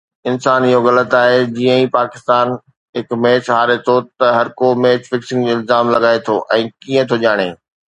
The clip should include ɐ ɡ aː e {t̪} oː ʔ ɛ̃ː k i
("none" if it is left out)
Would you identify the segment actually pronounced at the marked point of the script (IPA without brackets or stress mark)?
t̪ʰ